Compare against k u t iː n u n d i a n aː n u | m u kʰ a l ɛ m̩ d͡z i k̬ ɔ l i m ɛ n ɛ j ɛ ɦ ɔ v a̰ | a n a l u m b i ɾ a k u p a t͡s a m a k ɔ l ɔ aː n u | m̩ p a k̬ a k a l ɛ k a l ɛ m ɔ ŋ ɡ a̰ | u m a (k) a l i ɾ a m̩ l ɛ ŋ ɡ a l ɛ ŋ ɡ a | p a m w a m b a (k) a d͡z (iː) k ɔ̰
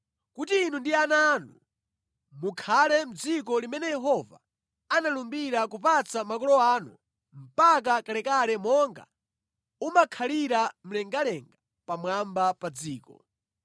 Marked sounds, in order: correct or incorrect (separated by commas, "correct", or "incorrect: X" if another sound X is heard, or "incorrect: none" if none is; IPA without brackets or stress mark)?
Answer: incorrect: kʰ, incorrect: p, correct